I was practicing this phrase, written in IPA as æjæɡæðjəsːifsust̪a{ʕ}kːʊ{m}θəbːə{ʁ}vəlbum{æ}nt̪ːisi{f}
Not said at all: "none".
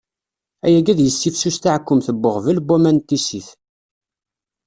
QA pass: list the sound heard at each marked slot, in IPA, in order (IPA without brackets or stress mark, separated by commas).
ʕ, m, ʁ, æ, θ